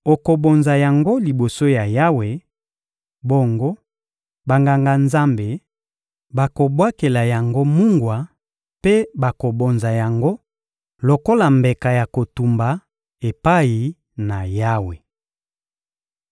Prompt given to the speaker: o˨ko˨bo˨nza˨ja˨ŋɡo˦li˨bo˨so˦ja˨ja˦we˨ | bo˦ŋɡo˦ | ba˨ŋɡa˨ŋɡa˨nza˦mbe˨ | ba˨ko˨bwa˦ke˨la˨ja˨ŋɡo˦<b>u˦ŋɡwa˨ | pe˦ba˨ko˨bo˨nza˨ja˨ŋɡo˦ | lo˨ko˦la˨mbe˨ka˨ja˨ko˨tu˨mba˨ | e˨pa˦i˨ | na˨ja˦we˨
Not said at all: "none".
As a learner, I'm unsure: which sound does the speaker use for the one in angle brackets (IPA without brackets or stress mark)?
m